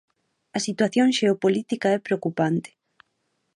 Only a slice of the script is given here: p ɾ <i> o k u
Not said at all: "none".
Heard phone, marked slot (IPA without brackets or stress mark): e